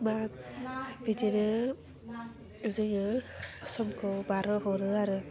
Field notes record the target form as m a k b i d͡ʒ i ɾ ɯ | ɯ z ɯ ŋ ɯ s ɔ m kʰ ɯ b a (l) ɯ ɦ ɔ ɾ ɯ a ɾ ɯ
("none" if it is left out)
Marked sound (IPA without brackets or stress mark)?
ɾ